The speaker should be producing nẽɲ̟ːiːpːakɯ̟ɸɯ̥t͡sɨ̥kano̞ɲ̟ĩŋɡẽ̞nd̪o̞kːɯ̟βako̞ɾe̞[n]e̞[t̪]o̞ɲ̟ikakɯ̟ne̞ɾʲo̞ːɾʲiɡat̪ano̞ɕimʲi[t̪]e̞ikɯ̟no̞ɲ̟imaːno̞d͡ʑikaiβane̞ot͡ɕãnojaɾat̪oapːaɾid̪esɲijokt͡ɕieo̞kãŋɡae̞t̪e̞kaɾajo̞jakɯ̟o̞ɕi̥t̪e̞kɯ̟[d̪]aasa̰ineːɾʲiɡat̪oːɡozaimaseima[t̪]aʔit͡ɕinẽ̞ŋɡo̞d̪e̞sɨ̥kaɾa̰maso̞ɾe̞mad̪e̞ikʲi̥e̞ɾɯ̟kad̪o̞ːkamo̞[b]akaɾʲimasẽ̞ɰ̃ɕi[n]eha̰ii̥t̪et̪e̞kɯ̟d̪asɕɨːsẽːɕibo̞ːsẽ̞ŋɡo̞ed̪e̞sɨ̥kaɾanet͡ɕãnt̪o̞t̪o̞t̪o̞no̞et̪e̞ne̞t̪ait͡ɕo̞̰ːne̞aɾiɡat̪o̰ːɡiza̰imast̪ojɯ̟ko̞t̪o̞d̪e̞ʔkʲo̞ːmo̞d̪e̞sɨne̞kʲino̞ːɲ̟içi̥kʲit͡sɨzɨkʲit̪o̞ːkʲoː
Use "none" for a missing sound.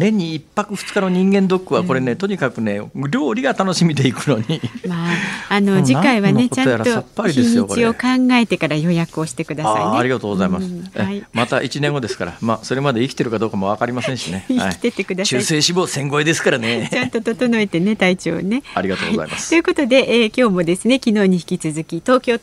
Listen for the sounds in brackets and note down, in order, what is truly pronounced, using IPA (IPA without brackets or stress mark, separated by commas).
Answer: n, t̪, d̪, d̪, t̪, β, n